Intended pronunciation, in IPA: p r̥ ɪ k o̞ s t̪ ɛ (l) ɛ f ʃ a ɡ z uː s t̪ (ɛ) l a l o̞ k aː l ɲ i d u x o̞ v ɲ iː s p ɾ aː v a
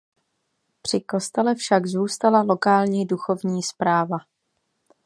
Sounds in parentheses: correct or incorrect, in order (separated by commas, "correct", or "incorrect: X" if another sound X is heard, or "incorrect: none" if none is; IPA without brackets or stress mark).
correct, incorrect: a